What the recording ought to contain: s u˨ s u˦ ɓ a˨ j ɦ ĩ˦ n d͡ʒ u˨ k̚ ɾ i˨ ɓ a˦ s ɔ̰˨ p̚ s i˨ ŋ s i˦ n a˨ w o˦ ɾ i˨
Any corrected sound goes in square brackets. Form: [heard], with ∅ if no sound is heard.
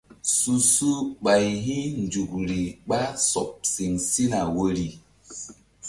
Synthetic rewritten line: s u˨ s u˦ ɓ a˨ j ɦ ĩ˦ n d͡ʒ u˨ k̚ ɾ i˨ ɓ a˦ s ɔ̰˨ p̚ s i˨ ŋ s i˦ n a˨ w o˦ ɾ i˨